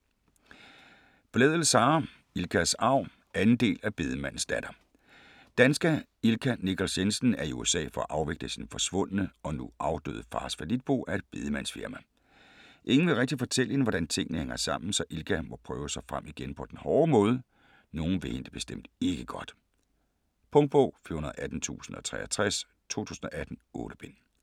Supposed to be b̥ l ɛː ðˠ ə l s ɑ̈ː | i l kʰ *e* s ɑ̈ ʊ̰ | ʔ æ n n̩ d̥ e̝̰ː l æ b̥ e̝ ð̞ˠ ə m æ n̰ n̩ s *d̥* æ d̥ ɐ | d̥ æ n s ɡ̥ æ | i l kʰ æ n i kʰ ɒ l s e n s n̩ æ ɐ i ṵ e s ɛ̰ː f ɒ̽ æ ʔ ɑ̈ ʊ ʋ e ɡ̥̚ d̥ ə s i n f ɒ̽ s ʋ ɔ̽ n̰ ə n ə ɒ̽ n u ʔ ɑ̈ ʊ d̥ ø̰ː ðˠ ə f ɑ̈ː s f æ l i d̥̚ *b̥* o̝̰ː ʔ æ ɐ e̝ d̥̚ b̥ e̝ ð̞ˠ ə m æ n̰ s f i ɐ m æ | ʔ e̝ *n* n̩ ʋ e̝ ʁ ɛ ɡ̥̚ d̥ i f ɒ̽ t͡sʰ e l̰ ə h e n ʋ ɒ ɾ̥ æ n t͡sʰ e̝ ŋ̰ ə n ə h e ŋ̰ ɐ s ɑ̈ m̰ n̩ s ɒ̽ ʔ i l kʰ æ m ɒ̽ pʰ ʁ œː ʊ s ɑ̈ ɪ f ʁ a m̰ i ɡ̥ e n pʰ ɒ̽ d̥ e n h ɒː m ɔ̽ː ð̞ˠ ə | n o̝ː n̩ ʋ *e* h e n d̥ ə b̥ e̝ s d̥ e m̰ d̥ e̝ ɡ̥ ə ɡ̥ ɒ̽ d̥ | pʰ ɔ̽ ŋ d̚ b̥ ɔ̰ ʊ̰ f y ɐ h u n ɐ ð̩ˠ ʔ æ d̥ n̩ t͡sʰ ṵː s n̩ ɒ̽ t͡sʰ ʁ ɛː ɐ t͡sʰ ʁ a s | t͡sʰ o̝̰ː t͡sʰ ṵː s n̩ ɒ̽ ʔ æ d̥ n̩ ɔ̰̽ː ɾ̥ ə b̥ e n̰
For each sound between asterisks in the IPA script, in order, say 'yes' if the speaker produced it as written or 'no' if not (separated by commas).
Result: no, yes, yes, no, yes